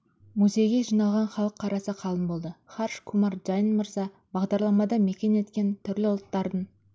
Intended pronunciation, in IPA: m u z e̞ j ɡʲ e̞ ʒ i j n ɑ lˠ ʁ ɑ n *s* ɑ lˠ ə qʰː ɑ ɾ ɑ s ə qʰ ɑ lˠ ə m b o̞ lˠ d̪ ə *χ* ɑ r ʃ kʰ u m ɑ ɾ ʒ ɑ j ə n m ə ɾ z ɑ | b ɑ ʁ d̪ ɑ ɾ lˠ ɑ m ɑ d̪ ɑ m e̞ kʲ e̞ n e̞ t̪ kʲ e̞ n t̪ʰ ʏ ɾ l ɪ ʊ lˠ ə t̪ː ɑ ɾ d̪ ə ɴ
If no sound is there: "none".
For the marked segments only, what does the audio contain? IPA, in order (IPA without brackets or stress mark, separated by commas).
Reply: χ, χ